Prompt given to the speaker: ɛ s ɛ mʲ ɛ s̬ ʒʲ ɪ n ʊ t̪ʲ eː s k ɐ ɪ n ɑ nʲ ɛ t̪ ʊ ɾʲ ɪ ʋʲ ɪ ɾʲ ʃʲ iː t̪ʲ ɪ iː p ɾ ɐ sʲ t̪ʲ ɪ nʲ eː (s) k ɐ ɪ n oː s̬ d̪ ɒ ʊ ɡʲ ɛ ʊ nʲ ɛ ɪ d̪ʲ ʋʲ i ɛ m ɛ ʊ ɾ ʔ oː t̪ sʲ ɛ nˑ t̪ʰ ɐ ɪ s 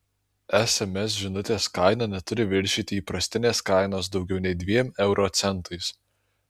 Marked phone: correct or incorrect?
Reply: correct